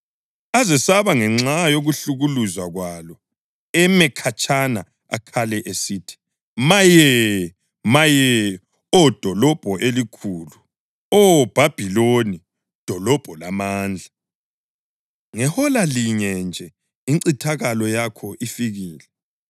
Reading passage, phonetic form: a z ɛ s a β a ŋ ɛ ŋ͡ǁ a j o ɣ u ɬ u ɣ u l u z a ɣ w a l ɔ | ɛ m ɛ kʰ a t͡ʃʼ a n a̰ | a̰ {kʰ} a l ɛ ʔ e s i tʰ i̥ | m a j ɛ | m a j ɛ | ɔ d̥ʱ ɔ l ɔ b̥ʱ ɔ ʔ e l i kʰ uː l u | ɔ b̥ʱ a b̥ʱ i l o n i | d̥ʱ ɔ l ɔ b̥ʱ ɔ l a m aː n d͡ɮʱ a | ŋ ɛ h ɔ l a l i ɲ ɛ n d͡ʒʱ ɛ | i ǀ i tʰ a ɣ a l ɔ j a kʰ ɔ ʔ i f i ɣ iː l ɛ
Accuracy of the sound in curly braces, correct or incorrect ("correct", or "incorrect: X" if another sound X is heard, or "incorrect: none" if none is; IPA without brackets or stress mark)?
correct